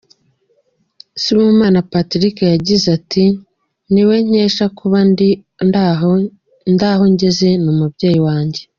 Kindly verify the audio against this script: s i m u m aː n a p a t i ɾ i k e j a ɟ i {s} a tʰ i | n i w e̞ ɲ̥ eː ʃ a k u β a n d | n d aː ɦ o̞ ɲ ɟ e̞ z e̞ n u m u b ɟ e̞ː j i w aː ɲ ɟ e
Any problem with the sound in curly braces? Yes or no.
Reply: yes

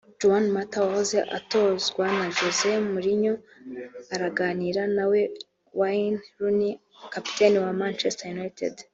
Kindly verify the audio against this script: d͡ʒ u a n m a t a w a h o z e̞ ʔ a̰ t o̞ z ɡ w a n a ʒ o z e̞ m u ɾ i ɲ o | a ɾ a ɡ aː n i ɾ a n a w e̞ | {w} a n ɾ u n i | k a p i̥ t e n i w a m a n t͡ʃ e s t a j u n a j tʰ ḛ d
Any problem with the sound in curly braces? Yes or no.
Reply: no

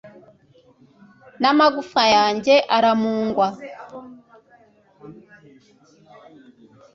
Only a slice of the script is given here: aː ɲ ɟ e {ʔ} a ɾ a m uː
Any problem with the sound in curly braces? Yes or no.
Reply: no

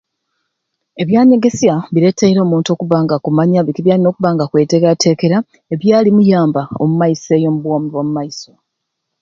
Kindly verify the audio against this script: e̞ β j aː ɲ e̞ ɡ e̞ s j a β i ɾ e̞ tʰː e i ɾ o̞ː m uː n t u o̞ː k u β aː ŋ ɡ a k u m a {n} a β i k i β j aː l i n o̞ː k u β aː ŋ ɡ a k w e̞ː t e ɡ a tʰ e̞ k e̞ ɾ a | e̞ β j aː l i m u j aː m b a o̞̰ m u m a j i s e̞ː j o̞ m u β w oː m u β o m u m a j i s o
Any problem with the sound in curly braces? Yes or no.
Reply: yes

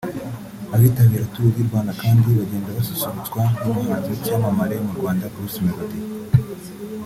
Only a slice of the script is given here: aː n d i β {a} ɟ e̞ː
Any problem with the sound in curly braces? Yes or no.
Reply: no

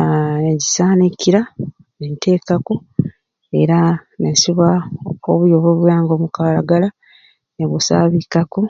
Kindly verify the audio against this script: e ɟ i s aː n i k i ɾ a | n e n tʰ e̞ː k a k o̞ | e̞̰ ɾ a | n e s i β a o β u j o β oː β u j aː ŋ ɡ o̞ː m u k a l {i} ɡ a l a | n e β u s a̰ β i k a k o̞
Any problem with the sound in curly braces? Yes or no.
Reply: yes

